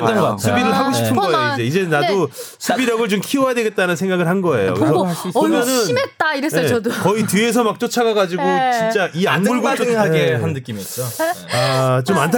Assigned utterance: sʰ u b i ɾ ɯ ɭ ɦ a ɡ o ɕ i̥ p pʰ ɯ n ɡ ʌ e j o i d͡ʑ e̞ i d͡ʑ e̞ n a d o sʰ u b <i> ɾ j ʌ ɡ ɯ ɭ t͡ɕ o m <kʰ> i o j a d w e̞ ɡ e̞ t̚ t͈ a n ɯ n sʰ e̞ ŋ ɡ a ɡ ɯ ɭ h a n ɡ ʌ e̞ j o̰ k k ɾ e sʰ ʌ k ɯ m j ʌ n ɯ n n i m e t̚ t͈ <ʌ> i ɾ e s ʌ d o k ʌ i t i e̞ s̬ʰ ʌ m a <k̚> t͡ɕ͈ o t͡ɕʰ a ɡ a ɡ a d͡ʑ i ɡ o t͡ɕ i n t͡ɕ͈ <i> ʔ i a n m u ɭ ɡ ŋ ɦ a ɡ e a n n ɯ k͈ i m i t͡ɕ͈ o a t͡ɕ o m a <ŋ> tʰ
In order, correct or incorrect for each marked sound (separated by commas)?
correct, correct, incorrect, correct, incorrect, incorrect